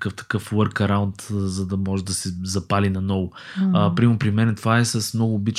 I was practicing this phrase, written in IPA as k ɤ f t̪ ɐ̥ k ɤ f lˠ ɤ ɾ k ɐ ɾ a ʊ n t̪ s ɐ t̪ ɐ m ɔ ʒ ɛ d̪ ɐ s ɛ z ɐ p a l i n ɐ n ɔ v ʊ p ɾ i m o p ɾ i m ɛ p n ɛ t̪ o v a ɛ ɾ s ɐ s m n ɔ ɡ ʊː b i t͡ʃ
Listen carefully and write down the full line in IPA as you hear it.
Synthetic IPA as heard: k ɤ f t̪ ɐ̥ k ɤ f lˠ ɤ ɾ k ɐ ɾ a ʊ n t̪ z ɐ d̪ ɐ m ɔ ʒ ɛ d̪ ɐ s ɛ z ɐ p a l i n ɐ n ɔ v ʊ p ɾ i m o p ɾ i m ɛ n ɛ t̪ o v a ɛ s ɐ s m n ɔ ɡ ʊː b i t͡ʃ